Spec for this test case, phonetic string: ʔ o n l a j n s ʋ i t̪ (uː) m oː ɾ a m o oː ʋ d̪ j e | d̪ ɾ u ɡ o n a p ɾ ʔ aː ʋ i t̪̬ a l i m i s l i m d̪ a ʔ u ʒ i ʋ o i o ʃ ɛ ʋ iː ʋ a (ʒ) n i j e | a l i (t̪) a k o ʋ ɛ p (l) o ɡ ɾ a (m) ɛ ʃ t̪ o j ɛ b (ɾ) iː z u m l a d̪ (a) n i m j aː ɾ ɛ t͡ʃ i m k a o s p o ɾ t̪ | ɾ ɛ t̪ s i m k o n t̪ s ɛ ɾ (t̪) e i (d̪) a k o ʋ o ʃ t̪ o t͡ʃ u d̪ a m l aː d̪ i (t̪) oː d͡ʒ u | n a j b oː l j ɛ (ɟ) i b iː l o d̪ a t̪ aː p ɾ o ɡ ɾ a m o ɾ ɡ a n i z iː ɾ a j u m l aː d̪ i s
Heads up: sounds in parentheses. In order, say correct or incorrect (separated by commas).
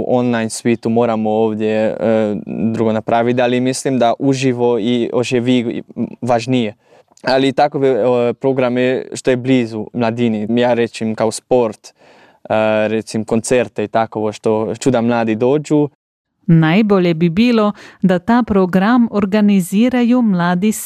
incorrect, correct, correct, incorrect, correct, incorrect, incorrect, correct, incorrect, incorrect, incorrect